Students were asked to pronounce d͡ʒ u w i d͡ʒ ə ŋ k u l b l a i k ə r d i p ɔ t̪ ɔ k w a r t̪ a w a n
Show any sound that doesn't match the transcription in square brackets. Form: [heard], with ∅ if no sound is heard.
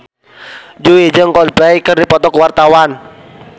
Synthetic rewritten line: d͡ʒ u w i d͡ʒ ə ŋ k [ɔ] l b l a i k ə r d i p ɔ t̪ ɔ k w a r t̪ a w a n